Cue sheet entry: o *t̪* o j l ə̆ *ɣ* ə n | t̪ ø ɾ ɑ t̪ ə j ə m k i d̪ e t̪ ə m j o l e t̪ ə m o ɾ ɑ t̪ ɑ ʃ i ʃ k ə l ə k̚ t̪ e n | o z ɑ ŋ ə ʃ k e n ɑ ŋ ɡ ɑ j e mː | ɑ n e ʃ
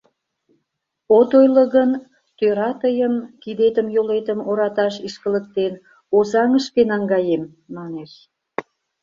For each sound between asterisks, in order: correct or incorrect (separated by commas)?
correct, correct